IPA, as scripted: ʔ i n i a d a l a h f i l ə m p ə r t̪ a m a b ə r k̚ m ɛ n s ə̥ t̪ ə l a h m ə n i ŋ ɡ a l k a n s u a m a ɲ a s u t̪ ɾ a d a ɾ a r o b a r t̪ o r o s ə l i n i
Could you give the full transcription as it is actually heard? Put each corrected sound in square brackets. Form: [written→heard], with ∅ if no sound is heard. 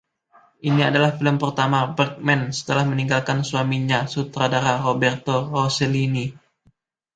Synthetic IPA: ʔ i n i a d a l a h f i l ə m p ə r t̪ a m a b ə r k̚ m ɛ n s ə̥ t̪ ə l a h m ə n i ŋ ɡ a l k a n s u a m [a→i] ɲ a s u t̪ ɾ a d a ɾ a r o b [a→ɛ] r t̪ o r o s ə l i n i